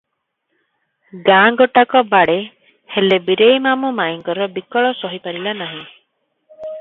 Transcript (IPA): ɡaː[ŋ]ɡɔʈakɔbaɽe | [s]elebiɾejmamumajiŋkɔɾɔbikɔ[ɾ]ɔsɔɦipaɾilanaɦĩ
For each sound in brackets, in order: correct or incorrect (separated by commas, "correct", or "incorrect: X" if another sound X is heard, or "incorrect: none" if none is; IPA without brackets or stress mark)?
correct, incorrect: h, incorrect: ɭ